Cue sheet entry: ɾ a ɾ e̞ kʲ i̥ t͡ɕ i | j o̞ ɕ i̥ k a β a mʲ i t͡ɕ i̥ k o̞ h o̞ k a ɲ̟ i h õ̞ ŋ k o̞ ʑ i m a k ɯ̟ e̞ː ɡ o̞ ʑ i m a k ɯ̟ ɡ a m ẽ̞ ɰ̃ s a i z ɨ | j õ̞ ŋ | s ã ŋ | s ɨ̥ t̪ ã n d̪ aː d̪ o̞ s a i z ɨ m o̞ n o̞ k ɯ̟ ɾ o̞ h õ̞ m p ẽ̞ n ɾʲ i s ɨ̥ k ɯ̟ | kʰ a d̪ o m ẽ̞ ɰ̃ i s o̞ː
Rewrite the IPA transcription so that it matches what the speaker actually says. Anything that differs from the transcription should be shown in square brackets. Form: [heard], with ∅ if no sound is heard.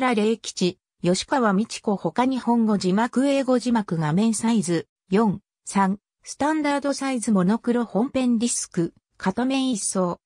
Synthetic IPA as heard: ɾ a ɾ e̞ kʲ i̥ t͡ɕ i | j o̞ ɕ i̥ k a β a mʲ i t͡ɕ i̥ k o̞ h o̞ k a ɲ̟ i h õ̞ ŋ [ɡ] o̞ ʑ i m a k ɯ̟ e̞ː ɡ o̞ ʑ i m a k ɯ̟ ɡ a m ẽ̞ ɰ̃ s a i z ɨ | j õ̞ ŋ | s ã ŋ | s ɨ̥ t̪ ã n d̪ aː d̪ o̞ s a i z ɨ m o̞ n o̞ k ɯ̟ ɾ o̞ h õ̞ m p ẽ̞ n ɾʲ i s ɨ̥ k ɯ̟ | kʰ a [t̪] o m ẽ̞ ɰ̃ i s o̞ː